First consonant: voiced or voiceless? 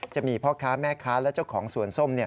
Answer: voiceless